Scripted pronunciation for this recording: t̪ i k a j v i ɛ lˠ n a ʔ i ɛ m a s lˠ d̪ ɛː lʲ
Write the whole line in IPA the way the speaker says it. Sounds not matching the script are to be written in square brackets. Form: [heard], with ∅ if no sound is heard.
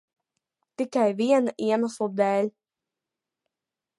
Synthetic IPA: t̪ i k a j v i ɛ [∅] n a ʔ i ɛ m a s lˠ d̪ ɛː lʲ

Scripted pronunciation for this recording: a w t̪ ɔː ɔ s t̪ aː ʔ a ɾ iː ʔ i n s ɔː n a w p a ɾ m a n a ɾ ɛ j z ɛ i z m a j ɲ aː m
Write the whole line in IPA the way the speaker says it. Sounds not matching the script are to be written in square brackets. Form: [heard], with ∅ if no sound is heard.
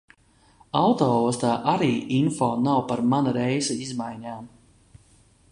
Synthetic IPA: a w t̪ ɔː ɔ s t̪ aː ʔ a ɾ iː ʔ i n [f] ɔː n a w p a ɾ m a n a ɾ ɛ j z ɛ i z m a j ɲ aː m

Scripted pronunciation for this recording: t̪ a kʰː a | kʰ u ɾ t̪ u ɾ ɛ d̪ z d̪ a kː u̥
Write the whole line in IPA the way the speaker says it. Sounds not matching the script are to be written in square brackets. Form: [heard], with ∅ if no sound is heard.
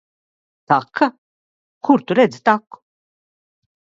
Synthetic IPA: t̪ a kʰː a | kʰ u ɾ t̪ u ɾ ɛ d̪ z [t̪] a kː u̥

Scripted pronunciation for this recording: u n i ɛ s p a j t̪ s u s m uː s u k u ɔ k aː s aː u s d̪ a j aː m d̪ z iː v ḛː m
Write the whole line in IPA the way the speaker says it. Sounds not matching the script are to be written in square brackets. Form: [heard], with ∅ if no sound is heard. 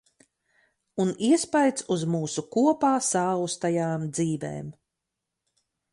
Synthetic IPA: u n i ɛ s p a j t̪ s u [z] m uː s u k u ɔ [p] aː s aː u s [t̪] a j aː m d̪ z iː v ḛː m

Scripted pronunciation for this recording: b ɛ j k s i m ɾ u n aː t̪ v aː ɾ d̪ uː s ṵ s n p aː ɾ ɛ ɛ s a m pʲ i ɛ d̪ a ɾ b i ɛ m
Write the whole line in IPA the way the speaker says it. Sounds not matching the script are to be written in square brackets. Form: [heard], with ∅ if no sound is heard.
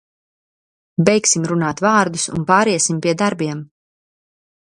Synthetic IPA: b ɛ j k s i m ɾ u n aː t̪ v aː ɾ d̪ [u] s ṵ [∅] n p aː ɾ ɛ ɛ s [i] m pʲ i ɛ d̪ a ɾ b i ɛ m

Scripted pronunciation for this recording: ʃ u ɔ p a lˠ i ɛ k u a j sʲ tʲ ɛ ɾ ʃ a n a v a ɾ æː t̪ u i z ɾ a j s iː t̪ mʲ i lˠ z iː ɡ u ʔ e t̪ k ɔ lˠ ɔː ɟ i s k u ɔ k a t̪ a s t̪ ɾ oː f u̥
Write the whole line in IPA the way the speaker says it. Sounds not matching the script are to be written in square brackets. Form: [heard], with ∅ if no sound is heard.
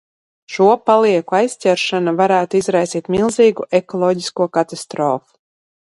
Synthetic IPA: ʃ u ɔ p a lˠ i ɛ k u a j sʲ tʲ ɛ ɾ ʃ a n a v a ɾ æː t̪ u i z ɾ a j s iː t̪ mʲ i lˠ z iː ɡ u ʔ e [∅] k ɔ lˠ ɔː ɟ i s k u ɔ k a t̪ a s t̪ ɾ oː f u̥

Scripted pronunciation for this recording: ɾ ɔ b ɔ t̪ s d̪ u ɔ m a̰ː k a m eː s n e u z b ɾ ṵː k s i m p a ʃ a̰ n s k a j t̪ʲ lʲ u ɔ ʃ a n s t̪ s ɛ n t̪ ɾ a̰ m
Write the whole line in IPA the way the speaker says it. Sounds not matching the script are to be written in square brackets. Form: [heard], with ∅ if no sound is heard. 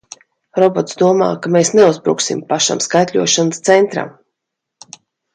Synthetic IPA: ɾ ɔ b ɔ t̪ s d̪ u ɔ m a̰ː k a m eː s n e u z b ɾ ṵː k s i m p a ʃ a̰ [m] s k a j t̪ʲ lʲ u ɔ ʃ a n s t̪ s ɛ n t̪ ɾ a̰ m

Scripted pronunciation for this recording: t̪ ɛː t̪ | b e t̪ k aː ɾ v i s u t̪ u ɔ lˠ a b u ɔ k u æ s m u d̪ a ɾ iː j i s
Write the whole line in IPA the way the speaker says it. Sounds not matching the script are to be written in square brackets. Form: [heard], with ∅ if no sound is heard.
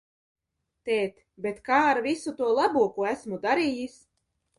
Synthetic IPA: t̪ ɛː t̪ | b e t̪ k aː ɾ v i s u t̪ u ɔ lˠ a b u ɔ k u æ s m u d̪ a ɾ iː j i s

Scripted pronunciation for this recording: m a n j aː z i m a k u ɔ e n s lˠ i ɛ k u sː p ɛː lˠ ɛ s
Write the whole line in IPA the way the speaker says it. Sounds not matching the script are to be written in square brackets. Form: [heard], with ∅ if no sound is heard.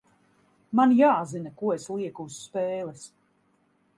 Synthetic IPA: m a n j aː z i [n] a k u ɔ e [∅] s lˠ i ɛ k u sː p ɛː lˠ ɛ s

